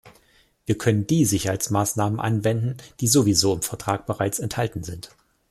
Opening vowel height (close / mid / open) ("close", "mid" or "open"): close